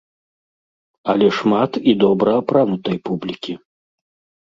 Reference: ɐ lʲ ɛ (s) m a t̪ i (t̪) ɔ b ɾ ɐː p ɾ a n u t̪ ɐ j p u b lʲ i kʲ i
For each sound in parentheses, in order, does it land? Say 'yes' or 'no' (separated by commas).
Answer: no, no